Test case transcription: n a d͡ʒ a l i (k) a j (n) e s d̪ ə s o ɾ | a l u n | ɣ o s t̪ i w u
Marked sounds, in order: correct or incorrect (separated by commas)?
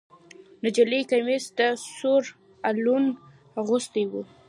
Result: correct, incorrect